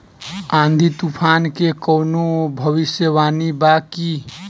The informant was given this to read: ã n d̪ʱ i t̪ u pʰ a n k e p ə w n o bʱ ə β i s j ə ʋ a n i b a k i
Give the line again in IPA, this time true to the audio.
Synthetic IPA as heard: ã n d̪ʱ i t̪ u pʰ a n k e k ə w n o bʱ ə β i s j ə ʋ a n i b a k i